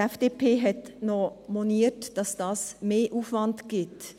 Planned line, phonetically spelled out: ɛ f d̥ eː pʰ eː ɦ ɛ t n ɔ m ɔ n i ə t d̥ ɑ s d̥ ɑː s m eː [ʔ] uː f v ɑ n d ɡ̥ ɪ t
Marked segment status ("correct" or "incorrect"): correct